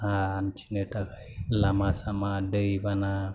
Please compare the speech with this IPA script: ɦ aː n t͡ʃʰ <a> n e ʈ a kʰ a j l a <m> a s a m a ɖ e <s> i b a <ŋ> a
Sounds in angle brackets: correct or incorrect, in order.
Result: incorrect: i, correct, incorrect: none, incorrect: n

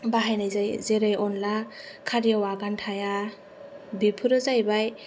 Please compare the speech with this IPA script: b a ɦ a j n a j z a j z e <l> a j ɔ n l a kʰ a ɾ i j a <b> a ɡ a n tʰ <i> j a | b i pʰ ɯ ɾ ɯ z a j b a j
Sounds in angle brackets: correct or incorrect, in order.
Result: incorrect: ɾ, incorrect: w, incorrect: a

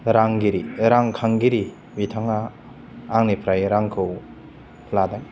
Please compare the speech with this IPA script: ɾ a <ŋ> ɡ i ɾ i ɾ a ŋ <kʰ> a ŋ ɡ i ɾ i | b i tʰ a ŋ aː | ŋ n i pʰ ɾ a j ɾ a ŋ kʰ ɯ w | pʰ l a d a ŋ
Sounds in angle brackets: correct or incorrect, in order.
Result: correct, correct

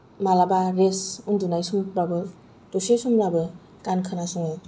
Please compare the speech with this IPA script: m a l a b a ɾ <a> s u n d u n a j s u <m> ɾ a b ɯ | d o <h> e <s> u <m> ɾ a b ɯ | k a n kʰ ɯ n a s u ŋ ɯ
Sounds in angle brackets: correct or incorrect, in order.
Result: incorrect: e, correct, incorrect: s, correct, correct

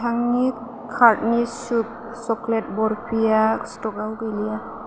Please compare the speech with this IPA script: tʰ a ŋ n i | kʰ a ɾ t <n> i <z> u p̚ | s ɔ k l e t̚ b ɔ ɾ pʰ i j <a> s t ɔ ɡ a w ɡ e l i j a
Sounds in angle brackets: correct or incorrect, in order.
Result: correct, incorrect: s, correct

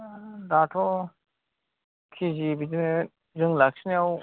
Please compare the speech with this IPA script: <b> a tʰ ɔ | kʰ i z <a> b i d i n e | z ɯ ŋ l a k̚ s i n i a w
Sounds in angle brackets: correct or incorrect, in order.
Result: incorrect: d, incorrect: i

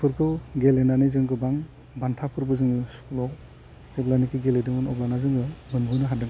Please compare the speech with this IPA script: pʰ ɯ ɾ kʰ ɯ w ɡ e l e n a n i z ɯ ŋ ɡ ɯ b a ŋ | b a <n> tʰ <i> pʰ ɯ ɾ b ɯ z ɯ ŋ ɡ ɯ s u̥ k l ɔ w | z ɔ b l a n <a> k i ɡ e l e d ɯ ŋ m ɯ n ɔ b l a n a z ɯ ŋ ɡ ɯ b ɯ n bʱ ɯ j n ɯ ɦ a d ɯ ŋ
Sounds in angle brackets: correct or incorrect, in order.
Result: correct, incorrect: a, incorrect: i

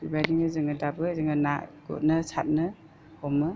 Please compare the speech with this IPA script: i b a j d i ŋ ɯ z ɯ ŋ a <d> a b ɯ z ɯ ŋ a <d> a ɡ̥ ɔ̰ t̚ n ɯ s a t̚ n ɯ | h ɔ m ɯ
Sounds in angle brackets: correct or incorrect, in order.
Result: correct, incorrect: n

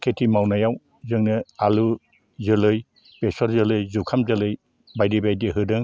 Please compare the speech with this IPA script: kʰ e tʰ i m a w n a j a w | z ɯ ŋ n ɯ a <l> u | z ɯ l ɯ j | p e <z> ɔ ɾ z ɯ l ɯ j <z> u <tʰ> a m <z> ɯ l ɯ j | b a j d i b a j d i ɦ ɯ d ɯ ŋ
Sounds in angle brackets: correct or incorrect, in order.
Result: correct, incorrect: s, correct, incorrect: kʰ, correct

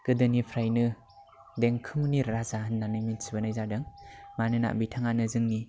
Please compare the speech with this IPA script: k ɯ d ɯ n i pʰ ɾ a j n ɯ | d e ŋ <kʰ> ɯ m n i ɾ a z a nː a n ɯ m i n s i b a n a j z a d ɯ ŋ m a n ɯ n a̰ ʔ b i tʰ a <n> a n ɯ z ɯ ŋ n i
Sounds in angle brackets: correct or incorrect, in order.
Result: correct, incorrect: ŋ

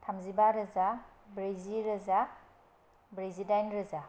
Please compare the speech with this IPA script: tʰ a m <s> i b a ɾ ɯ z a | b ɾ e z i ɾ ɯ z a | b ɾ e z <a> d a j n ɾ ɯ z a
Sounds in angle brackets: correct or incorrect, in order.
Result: incorrect: z, incorrect: i

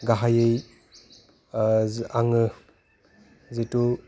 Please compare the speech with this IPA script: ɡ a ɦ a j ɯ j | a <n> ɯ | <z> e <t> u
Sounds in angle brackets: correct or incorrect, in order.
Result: incorrect: ŋ, correct, correct

